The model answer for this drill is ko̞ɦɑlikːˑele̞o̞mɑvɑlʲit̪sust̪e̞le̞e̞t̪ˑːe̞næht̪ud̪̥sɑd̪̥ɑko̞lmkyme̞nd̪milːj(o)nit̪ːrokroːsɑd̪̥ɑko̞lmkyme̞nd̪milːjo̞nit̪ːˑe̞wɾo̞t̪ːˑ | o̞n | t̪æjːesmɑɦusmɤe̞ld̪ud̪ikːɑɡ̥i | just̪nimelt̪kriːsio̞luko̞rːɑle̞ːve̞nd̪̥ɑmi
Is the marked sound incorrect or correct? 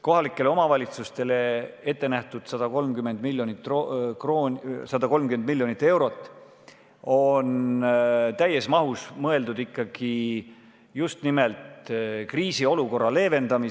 correct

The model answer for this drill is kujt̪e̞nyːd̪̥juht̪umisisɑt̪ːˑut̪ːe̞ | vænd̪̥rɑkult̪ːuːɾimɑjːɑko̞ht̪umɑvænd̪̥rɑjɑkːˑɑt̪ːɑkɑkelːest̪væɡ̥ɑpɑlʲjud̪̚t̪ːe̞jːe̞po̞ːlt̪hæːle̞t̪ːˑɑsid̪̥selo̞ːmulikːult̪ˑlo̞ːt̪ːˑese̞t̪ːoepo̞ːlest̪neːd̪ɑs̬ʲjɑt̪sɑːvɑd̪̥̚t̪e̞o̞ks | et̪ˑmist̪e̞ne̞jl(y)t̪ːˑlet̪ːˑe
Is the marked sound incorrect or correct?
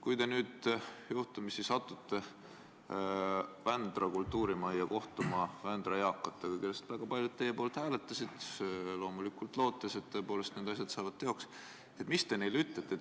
correct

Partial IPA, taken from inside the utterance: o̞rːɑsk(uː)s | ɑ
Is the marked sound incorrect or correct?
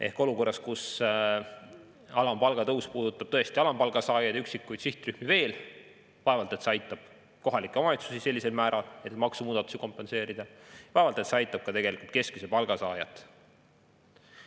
incorrect: u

